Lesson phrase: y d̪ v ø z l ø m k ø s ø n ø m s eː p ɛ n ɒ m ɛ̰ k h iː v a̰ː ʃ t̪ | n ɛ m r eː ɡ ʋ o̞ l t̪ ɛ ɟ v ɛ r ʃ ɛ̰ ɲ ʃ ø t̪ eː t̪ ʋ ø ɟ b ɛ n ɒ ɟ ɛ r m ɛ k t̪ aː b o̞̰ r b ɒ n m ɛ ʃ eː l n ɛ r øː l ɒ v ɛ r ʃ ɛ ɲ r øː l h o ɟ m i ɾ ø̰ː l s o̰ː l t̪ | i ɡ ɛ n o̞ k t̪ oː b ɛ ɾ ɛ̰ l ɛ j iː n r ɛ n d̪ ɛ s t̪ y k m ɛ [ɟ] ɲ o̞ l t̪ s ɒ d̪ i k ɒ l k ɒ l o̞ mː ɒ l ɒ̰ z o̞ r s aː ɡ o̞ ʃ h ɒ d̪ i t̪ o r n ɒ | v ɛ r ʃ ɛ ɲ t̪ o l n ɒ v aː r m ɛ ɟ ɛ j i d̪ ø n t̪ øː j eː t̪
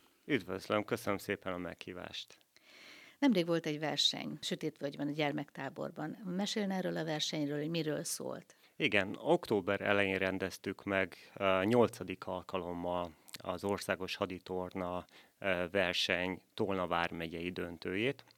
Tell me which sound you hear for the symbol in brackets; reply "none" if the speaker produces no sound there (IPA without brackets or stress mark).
ɡ